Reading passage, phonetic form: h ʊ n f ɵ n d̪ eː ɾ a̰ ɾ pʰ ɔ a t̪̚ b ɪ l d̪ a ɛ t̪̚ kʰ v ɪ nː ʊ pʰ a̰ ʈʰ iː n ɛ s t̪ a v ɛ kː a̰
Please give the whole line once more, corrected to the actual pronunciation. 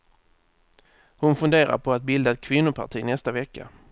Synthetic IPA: h ʊ n f ɵ n d̪ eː ɾ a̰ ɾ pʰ ɔ a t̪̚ b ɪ l d̪ a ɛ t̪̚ kʰ v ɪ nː ʊ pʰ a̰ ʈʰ iː n ɛ s t̪ a v ɛ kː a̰

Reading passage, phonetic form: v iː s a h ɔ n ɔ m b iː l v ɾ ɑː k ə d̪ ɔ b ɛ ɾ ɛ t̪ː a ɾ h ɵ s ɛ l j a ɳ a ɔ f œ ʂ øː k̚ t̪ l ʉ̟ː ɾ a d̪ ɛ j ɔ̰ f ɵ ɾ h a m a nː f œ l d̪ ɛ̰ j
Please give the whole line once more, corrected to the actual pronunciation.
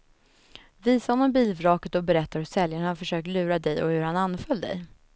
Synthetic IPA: v iː s a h ɔ n ɔ m b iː l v ɾ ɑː k ə t̪ ɔ b ɛ ɾ ɛ t̪ː a ɾ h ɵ s ɛ l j a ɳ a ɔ f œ ʂ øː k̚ t̪ l ʉ̟ː ɾ a d̪ ɛ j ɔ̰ h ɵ ɾ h a n a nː f œ l d̪ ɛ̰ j

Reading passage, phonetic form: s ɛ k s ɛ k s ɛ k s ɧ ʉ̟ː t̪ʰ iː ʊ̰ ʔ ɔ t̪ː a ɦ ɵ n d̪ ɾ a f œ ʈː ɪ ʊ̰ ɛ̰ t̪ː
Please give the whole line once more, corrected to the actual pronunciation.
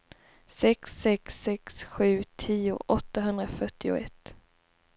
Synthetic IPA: s ɛ k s ɛ k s ɛ k s ɧ ʉ̟ː t̪ʰ iː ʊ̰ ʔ ɔ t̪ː a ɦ ɵ n d̪ ɾ a f œ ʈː ɪ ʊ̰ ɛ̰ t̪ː

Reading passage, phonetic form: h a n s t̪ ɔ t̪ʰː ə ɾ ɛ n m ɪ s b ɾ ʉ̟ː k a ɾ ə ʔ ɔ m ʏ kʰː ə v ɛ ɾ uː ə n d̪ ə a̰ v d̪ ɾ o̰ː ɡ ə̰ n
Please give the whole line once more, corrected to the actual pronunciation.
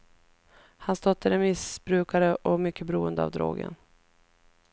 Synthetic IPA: h a n s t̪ ɔ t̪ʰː ə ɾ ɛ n m ɪ s b ɾ ʉ̟ː k a ɾ ə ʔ ɔ m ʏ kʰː ə b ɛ ɾ uː ə n d̪ ə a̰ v d̪ ɾ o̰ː ɡ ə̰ n

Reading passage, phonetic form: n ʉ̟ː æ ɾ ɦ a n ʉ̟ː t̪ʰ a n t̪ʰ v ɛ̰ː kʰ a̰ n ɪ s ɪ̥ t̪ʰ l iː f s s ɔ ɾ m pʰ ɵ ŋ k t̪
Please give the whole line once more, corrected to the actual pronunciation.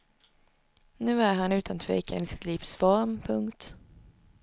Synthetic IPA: n ʉ̟ː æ ɾ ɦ a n ʉ̟ː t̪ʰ a n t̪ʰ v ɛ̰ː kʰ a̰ n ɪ s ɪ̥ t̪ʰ l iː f s f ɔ ɾ m pʰ ɵ ŋ k t̪

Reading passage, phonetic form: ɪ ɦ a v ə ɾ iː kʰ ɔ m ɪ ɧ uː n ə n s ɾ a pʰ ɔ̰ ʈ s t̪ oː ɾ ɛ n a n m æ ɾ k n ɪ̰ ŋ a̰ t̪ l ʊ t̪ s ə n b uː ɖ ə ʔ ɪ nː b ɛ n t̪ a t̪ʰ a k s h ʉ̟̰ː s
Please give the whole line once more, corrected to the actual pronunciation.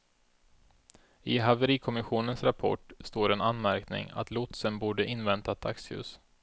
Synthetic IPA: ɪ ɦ a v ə ɾ iː kʰ ɔ m ɪ ɧ uː n ə n s ɾ a pʰ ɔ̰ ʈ s t̪ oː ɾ ɛ n a n m æ ɾ k n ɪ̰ ŋ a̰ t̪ l ʊ t̪ s ə n b uː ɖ ə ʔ ɪ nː v ɛ n t̪ a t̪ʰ a k s h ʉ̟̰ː s

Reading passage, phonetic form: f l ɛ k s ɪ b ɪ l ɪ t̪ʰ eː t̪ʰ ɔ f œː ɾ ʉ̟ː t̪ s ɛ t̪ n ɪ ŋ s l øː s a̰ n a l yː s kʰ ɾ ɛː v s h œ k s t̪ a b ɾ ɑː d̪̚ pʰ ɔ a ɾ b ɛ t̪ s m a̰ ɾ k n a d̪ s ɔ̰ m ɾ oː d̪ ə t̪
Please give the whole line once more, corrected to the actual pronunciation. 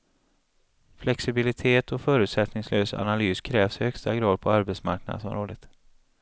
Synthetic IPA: f l ɛ k s ɪ b ɪ l ɪ t̪ʰ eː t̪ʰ ɔ f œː ɾ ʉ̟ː t̪ s ɛ t̪ n ɪ ŋ s l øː s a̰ n a l yː s kʰ ɾ ɛː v s h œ k s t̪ a ɡ ɾ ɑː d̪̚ pʰ ɔ a ɾ b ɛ t̪ s m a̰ ɾ k n a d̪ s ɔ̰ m ɾ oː d̪ ə t̪

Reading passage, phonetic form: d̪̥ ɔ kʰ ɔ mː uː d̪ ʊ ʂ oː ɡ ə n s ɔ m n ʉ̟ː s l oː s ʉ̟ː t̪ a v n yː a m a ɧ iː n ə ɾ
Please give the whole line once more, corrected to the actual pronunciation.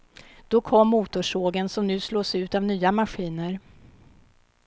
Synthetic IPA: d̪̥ ɔ kʰ ɔ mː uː t̪ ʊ ʂ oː ɡ ə n s ɔ m n ʉ̟ː s l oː s ʉ̟ː t̪ a v n yː a m a ɧ iː n ə ɾ

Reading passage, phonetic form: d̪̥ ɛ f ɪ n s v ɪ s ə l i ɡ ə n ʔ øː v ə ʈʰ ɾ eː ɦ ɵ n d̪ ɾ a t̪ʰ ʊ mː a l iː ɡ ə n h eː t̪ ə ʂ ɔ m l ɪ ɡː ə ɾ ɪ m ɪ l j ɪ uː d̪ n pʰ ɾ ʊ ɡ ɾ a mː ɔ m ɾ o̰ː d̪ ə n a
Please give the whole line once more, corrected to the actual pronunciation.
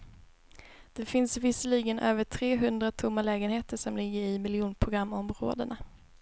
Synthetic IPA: d̪̥ ɛ f ɪ n s v ɪ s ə l i ɡ ə n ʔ øː v ə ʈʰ ɾ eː ɦ ɵ n d̪ ɾ a t̪ʰ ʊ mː a l ɛː ɡ ə n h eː t̪ ə ʂ ɔ m l ɪ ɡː ə ɾ ɪ m ɪ l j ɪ uː n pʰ ɾ ʊ ɡ ɾ a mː ɔ m ɾ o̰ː d̪ ə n a

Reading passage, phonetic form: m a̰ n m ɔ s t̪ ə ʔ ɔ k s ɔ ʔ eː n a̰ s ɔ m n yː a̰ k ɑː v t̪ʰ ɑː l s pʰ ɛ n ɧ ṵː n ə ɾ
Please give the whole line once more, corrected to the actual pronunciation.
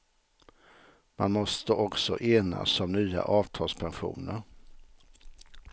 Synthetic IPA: m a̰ n m ɔ s t̪ ə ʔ ɔ k s ɔ ʔ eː n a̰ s ɔ m n yː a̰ ʔ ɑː v t̪ʰ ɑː l s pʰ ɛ n ɧ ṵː n ə ɾ

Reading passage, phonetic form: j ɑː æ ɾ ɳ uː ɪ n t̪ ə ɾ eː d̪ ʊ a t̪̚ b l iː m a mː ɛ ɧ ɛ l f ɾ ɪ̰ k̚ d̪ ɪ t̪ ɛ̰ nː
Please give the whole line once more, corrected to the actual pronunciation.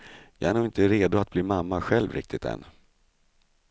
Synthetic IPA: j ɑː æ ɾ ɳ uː ɪ n t̪ ə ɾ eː d̪ ʊ a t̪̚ b l iː m a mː a ɧ ɛ l v ɾ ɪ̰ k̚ t̪ ɪ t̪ ɛ̰ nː

